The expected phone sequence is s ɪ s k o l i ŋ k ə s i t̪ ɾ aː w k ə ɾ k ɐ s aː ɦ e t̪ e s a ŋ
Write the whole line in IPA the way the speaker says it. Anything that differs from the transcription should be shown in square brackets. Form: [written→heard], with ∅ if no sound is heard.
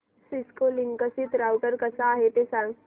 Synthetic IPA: s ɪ s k o l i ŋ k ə s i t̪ ɾ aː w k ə ɾ k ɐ s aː ɦ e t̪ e s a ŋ